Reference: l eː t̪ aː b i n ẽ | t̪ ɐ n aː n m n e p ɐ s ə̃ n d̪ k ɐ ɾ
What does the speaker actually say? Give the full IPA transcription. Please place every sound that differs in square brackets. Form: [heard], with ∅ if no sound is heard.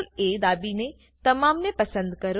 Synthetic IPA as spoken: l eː [d̪] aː b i n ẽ | t̪ ɐ [m] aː [∅] m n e p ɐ s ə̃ n d̪ k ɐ ɾ